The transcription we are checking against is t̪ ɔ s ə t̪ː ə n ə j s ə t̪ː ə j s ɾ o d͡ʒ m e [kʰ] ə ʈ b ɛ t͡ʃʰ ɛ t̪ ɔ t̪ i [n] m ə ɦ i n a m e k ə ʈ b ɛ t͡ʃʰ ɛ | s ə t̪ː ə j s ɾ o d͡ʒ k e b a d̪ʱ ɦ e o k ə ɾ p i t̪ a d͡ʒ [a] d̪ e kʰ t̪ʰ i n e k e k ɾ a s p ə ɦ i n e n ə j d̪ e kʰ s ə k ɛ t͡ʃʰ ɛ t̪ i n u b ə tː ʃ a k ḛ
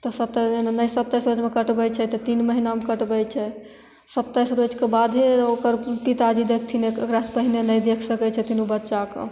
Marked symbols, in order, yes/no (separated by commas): no, yes, no